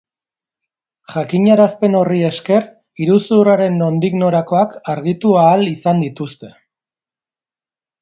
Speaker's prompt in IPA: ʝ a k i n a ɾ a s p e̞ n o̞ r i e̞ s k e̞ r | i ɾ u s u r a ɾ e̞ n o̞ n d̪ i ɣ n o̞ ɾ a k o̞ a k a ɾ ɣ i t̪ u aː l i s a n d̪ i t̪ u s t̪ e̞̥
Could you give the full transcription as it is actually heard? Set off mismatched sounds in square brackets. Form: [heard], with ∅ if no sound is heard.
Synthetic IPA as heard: ʝ a k i [ɲ] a ɾ a s p e̞ n o̞ r i e̞ s k e̞ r | i ɾ u s u r a ɾ e̞ n o̞ n d̪ i ɣ n o̞ ɾ a k o̞ a k a ɾ ɣ i t̪ u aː l i s a n d̪ i t̪ u s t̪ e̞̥